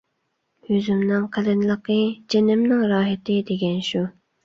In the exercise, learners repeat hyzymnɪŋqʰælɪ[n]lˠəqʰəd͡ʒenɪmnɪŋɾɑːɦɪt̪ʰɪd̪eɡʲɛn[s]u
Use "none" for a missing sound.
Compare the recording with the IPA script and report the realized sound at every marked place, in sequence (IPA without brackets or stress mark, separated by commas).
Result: n, ʃ